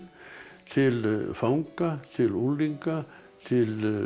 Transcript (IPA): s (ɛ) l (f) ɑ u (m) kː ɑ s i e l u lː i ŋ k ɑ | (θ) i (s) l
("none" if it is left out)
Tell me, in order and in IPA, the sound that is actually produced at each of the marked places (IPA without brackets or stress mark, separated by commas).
i, f, ŋ, s, none